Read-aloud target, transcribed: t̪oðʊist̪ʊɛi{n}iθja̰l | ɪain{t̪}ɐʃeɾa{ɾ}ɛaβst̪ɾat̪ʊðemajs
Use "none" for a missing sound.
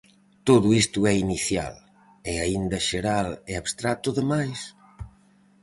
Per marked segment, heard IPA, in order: n, d̪, l

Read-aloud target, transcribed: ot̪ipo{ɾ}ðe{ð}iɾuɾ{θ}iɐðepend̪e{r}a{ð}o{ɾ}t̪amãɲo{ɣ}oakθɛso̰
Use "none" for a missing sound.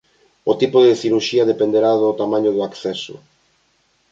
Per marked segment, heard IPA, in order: none, θ, ʃ, ɾ, ð, none, ð

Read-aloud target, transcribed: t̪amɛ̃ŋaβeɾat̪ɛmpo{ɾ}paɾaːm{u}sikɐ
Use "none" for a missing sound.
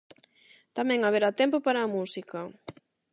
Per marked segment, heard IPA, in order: none, u

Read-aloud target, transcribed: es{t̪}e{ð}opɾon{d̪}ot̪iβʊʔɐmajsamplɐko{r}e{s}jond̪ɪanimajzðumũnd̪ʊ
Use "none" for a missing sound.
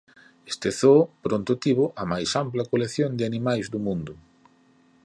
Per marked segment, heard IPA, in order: t̪, θ, t̪, l, θ

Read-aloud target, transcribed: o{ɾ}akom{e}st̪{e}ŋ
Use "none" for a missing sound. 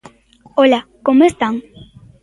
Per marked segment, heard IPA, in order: l, e, a

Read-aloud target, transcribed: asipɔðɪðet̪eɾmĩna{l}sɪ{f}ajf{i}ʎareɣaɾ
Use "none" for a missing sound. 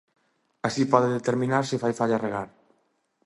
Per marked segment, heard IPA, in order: ɾ, f, a

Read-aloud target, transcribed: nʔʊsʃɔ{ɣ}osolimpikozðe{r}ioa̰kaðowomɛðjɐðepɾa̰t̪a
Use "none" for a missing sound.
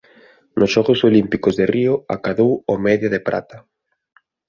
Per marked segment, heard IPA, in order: ɣ, r

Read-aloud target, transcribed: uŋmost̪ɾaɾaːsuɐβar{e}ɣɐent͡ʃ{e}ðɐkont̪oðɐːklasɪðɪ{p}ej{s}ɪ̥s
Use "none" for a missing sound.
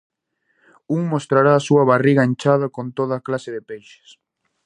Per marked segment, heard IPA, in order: i, a, p, ʃ

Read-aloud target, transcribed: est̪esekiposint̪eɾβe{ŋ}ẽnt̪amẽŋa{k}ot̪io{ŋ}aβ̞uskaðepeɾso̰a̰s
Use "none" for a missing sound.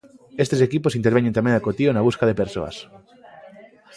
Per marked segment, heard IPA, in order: ɲ, k, n

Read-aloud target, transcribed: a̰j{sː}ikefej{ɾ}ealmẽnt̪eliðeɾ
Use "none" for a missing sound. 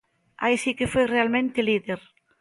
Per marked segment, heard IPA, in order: s, r

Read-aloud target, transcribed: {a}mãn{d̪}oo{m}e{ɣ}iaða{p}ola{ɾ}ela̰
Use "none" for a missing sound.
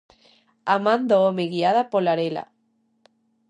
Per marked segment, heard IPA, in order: a, d̪, m, ɣ, p, ɾ

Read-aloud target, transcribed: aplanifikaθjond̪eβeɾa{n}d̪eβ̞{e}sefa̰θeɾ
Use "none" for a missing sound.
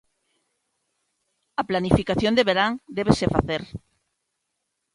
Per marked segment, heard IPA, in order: ŋ, e

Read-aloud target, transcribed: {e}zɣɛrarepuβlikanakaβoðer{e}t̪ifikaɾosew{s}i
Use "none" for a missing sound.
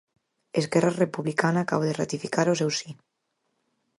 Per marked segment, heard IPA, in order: e, a, s

